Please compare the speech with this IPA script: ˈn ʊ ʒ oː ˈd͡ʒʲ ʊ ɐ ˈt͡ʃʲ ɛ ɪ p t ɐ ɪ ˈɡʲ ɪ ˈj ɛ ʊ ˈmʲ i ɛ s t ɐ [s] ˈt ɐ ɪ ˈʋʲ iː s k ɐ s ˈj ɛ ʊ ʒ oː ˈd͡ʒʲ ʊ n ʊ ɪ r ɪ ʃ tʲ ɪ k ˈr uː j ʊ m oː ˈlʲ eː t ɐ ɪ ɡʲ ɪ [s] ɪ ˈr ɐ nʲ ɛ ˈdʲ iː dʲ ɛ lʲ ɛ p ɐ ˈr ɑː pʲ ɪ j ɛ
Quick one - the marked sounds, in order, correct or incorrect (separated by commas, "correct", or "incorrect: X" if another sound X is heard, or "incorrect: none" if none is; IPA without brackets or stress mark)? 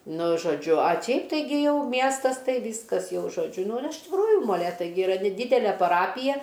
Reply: correct, incorrect: none